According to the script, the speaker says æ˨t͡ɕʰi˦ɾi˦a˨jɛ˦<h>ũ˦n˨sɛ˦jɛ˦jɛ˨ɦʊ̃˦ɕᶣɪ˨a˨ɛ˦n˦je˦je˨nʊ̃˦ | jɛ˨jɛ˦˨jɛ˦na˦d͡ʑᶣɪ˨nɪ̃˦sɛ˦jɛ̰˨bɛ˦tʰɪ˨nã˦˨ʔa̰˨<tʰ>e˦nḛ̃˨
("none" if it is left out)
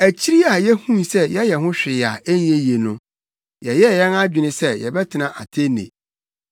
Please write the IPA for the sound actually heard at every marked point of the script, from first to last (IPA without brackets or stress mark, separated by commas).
h, tʰ